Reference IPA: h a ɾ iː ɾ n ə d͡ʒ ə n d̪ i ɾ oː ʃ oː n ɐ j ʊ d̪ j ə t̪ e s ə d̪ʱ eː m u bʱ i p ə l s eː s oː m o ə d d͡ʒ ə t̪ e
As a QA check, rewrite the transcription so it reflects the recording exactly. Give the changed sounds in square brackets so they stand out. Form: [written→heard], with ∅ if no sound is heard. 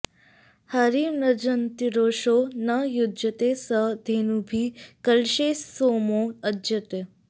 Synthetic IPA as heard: h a ɾ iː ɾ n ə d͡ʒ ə n [d̪→t̪] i ɾ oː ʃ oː n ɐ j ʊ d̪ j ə t̪ e s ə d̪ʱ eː [m→n] u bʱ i [p→k] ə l [s→ʃ] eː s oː m o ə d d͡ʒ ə t̪ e